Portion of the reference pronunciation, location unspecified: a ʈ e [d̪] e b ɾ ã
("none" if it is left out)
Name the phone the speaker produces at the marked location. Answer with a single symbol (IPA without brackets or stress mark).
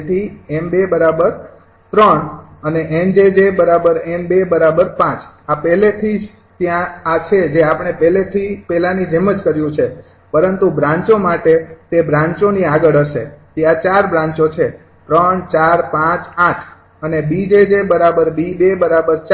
t̪